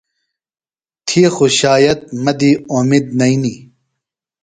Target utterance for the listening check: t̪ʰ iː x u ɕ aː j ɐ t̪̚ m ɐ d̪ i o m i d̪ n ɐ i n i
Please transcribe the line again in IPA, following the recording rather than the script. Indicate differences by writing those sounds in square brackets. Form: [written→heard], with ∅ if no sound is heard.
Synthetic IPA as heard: t̪ʰ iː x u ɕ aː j ɐ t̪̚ m ɐ d̪ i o m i d̪ n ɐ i n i